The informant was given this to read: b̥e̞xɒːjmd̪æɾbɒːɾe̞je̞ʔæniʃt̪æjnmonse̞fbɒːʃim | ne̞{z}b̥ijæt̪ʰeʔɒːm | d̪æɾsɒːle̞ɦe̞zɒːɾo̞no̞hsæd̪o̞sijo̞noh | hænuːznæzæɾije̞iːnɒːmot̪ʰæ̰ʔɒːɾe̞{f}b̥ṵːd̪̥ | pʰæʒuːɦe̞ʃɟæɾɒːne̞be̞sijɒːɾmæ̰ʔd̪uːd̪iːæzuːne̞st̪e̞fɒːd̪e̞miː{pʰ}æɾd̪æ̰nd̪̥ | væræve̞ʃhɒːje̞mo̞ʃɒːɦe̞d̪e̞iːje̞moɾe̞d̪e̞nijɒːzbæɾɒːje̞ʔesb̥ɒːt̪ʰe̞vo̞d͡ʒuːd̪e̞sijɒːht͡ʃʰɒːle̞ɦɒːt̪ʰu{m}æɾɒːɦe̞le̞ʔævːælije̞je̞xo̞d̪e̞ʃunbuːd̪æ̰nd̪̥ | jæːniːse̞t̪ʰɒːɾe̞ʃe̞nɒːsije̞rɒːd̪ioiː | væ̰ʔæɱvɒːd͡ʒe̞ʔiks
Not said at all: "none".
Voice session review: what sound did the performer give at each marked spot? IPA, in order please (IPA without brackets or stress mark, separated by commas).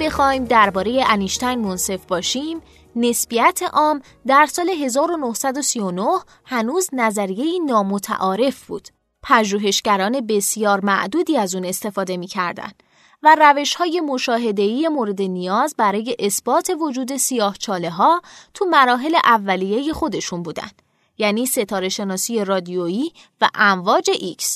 s, f, cʰ, m